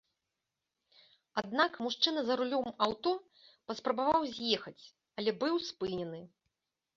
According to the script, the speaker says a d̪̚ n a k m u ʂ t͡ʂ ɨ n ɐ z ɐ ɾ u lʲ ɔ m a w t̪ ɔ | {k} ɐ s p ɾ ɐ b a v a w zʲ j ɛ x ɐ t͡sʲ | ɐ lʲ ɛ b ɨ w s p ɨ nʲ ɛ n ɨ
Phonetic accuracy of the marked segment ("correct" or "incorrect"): incorrect